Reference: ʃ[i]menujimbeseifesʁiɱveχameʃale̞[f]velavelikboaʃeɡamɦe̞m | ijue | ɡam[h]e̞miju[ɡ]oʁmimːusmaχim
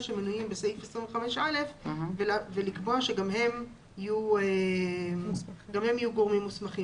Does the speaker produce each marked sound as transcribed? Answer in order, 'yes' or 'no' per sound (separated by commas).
no, yes, yes, yes